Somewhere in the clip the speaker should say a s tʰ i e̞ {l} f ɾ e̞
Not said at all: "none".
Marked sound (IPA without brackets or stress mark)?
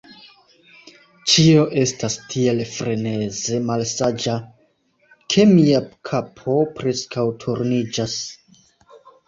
l